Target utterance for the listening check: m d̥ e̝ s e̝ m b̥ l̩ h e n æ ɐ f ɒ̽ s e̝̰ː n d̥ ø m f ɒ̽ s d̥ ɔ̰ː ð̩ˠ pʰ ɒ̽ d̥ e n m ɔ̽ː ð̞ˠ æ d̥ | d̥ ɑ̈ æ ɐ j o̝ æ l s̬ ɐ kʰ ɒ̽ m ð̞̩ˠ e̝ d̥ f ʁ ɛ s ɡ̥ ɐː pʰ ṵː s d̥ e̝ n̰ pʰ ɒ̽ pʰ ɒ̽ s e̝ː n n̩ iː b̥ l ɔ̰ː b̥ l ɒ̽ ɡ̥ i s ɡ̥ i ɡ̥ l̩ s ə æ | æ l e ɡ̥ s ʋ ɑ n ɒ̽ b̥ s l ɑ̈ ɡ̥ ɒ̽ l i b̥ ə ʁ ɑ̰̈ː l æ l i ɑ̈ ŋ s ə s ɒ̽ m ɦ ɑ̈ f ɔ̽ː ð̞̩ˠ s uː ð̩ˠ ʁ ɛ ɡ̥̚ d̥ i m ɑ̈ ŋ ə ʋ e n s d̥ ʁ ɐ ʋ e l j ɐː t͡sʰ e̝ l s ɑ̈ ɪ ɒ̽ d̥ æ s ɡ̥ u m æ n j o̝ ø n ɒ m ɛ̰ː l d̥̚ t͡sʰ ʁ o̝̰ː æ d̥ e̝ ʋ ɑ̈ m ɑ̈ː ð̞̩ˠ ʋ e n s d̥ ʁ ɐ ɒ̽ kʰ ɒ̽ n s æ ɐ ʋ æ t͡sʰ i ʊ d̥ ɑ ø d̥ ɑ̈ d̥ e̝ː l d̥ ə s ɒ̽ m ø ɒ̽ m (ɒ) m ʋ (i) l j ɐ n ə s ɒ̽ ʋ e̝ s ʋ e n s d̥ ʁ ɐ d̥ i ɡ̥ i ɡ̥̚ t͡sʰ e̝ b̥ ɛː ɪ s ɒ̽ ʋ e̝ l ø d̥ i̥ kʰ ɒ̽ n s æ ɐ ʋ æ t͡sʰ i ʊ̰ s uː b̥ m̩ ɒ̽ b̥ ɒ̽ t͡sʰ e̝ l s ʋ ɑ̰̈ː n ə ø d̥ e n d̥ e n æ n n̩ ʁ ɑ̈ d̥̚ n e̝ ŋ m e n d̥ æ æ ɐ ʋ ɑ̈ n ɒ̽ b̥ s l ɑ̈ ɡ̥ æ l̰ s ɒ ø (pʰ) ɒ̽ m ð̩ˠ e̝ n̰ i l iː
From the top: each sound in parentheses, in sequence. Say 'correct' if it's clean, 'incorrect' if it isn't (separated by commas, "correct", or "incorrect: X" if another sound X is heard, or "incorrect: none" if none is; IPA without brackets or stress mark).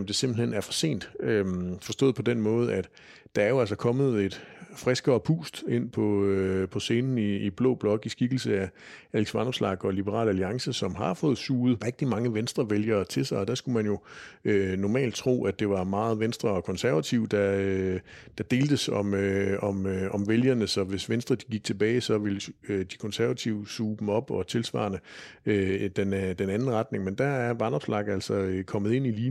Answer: correct, incorrect: e, incorrect: kʰ